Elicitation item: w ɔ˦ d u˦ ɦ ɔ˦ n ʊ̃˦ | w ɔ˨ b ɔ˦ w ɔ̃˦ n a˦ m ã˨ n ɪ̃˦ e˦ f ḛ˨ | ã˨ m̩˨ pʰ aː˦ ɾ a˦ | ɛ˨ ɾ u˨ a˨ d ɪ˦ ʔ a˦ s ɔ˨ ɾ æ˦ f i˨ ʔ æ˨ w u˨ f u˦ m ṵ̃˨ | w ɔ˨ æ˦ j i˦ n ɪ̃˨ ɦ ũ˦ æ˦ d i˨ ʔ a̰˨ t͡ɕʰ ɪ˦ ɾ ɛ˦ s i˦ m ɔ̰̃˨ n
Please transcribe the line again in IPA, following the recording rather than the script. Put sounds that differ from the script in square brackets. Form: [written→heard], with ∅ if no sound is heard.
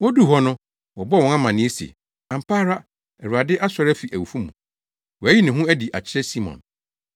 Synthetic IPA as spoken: w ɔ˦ d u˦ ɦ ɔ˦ n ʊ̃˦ | w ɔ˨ b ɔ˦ w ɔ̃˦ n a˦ m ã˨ n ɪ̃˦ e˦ [f→s] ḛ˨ | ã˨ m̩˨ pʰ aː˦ ɾ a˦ | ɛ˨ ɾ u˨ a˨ d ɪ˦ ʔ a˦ s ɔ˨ ɾ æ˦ f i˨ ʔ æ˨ w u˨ f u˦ m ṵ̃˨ | w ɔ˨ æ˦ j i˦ n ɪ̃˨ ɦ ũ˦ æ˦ d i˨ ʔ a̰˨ t͡ɕʰ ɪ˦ ɾ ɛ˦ s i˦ m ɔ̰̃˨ n